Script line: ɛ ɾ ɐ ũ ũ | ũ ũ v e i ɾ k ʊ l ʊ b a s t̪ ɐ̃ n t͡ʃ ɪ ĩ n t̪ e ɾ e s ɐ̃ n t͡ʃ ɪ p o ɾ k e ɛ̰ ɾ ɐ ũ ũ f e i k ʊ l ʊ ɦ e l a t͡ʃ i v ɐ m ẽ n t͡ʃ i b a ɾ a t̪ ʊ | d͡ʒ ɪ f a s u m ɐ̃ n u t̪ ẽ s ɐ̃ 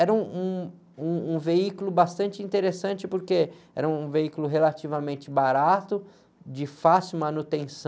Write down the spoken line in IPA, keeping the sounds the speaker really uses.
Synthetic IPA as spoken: ɛ ɾ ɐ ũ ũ | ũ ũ v e i k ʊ l ʊ b a s t̪ ɐ̃ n t͡ʃ ɪ ĩ n t̪ e ɾ e s ɐ̃ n t͡ʃ ɪ p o ɾ k e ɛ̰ ɾ ɐ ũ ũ v e i k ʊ l ʊ ɦ e l a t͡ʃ i v ɐ m ẽ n t͡ʃ ɪ b a ɾ a t̪ ʊ | d͡ʒ ɪ f a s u m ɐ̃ n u t̪ ẽ s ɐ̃